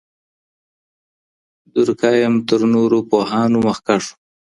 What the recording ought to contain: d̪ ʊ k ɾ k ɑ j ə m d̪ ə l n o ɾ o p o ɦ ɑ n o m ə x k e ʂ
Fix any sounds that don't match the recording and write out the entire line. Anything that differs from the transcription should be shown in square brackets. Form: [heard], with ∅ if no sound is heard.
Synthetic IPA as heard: d̪ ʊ [∅] ɾ k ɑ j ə m [t̪] ə [ɾ] n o ɾ o p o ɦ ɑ n o m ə x k [a] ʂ